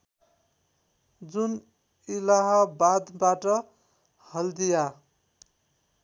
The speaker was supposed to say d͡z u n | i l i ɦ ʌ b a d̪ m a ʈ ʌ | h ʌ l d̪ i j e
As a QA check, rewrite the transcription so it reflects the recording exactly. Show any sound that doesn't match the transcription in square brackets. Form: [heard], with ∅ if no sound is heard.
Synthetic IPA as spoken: d͡z u n | i l [a] ɦ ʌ b a d̪ [b] a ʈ ʌ | h ʌ l d̪ i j [a]